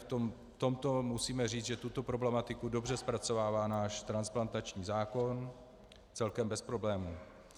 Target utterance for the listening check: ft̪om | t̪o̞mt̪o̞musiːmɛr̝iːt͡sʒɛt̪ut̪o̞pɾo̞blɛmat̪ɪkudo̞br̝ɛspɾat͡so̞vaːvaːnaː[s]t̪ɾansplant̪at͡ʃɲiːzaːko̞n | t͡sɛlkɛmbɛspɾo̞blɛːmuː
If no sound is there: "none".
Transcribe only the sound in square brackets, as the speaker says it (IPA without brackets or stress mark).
ʃ